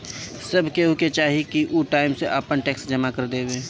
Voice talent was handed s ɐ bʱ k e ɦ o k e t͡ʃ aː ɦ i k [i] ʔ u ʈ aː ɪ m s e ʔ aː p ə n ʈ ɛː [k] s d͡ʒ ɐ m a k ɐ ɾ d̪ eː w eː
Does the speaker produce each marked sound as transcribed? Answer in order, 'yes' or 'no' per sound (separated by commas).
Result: yes, yes